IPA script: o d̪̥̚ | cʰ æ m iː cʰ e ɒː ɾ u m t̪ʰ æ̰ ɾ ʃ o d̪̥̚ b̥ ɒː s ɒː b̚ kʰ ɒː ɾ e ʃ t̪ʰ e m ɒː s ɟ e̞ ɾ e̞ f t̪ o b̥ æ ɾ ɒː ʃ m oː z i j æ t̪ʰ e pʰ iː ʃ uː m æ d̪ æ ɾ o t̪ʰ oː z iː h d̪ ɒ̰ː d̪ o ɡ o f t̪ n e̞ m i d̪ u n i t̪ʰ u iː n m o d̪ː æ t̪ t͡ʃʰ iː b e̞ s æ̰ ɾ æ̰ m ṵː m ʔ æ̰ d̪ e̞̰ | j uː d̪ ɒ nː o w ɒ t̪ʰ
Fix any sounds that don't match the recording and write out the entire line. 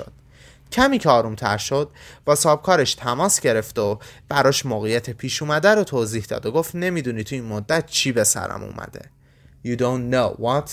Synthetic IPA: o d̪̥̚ | cʰ æ m iː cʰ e ɒː ɾ u m t̪ʰ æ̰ ɾ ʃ o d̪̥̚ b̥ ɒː s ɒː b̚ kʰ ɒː ɾ e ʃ t̪ʰ æ m ɒː s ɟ e̞ ɾ e̞ f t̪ o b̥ æ ɾ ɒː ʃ m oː ɣ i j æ t̪ʰ e pʰ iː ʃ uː m æ d̪ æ ɾ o t̪ʰ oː z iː h d̪ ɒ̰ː d̪ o ɡ o f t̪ n e̞ m i d̪ u n i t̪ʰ u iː n m o d̪ː æ t̪ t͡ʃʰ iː b e̞ s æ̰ ɾ æ̰ m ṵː m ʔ æ̰ d̪ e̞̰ | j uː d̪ o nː o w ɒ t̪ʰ